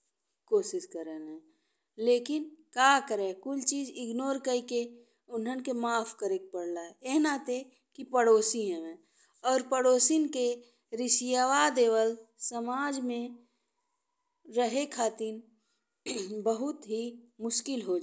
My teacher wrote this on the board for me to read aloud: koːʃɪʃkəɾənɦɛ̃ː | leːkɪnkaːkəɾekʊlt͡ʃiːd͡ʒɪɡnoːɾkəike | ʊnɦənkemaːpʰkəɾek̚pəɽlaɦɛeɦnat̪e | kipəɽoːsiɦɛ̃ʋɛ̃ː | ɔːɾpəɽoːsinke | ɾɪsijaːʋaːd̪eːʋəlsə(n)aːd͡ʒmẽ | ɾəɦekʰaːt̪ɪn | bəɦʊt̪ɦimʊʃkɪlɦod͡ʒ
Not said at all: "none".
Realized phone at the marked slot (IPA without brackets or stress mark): m